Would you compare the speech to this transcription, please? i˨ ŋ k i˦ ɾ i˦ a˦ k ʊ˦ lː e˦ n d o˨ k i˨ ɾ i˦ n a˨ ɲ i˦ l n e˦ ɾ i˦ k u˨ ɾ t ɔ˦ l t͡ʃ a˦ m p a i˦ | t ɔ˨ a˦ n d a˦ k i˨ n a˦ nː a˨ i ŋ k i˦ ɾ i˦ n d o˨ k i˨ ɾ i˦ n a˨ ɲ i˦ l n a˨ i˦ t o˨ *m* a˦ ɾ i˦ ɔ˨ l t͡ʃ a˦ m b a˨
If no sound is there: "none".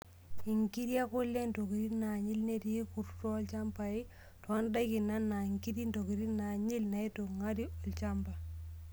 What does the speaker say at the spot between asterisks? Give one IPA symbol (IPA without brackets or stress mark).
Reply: ŋ